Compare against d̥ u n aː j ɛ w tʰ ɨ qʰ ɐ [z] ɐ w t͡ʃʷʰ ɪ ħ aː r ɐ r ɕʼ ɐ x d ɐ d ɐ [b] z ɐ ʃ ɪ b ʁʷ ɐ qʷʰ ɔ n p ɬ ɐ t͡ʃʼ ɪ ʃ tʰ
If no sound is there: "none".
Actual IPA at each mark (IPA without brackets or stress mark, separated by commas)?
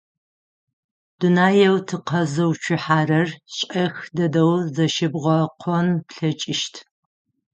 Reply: z, w